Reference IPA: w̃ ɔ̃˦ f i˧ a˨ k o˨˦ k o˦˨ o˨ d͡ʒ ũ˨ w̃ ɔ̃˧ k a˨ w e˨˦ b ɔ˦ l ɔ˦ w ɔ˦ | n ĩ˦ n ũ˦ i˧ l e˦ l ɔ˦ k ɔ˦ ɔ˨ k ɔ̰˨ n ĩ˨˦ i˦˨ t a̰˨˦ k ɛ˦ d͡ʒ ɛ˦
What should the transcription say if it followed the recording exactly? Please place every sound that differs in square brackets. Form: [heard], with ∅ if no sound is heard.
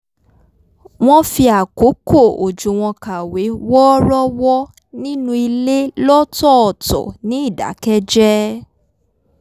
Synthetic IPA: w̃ ɔ̃˦ f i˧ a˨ k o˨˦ k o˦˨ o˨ d͡ʒ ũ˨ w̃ ɔ̃˧ k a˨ w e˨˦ [w] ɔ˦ [ɾ] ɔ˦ w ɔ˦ | n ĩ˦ n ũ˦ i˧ l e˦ l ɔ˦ [t] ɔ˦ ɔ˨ [t] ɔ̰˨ n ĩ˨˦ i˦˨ [d] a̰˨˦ k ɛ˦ d͡ʒ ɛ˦